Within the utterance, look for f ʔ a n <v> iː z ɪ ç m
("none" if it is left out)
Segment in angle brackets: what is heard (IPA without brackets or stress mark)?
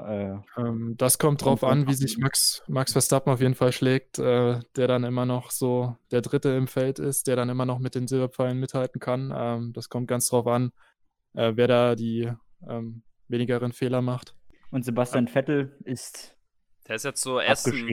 v